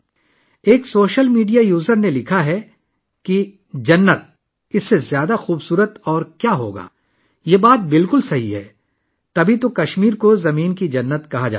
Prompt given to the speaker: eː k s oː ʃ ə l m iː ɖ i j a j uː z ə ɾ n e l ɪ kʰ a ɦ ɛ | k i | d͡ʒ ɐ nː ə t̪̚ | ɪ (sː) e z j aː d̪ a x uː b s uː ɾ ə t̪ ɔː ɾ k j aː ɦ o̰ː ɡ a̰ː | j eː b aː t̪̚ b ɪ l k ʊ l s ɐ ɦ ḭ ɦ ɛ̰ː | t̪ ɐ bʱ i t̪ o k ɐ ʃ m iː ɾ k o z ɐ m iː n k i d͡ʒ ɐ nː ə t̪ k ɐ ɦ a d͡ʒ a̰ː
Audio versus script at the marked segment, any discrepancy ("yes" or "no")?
no